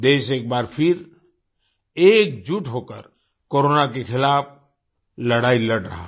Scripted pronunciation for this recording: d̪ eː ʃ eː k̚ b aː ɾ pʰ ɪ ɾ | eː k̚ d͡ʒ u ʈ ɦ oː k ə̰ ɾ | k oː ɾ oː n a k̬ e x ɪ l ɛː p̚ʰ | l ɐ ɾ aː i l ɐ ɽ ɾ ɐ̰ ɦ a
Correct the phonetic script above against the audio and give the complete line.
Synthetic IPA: d̪ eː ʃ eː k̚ b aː ɾ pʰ ɪ ɾ | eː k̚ d͡ʒ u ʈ ɦ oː k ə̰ ɾ | k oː ɾ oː n a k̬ e x ɪ l aː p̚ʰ | l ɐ ɽ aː i l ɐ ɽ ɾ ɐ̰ ɦ a